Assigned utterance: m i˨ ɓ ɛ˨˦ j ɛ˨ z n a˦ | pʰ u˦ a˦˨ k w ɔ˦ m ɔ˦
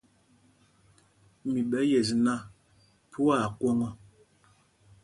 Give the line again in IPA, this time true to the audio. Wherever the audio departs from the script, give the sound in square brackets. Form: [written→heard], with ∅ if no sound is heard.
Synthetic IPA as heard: m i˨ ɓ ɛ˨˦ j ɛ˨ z n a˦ | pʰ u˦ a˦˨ k w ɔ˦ [m→ŋ] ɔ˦

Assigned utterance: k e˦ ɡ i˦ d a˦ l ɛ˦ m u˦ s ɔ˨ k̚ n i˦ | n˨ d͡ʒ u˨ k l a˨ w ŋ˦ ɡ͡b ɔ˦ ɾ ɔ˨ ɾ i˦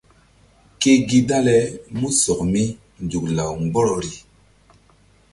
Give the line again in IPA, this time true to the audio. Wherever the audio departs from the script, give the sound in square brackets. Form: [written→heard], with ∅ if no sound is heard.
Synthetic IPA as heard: k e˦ ɡ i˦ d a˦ l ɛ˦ m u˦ s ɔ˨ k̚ [n→m] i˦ | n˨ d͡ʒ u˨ k l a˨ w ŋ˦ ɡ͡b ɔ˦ ɾ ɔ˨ ɾ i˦

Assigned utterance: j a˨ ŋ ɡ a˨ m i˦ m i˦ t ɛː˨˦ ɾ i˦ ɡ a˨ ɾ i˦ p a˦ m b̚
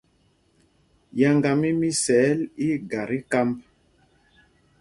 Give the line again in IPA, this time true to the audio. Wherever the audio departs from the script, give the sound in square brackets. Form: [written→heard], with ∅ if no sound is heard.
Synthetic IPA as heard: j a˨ ŋ ɡ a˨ m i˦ m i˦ [t→s] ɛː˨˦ [ɾ→l] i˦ ɡ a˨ ɾ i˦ [p→k] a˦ m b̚

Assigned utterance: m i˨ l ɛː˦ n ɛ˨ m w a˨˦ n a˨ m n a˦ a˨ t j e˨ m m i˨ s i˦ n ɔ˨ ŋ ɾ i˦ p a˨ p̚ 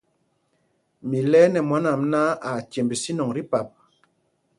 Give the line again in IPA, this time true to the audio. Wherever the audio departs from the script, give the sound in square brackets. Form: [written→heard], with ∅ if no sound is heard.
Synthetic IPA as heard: m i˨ l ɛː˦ n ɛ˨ m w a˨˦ n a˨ m n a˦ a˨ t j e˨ m [m→b] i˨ s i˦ n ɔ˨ ŋ ɾ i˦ p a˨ p̚

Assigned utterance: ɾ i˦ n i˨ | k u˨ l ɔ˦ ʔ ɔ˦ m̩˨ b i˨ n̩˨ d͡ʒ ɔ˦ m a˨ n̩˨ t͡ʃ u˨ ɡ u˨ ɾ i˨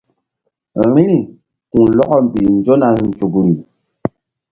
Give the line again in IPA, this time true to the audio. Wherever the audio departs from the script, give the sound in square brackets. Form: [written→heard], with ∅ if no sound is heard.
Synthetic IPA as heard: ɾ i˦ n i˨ | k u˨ l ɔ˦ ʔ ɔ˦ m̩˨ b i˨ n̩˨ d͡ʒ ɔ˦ [m→n] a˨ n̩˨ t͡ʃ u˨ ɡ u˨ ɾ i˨

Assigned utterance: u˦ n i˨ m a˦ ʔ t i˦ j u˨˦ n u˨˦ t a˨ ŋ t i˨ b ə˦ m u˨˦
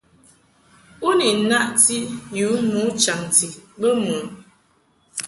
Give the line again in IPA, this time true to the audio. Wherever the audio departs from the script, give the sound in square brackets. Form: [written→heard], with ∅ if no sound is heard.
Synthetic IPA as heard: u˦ n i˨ [m→n] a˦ ʔ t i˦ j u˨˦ [n→m] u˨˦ [t→t͡ʃ] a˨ ŋ t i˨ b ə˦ m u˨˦

